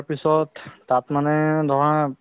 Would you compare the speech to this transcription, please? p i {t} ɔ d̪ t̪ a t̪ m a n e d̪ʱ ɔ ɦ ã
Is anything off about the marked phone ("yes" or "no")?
yes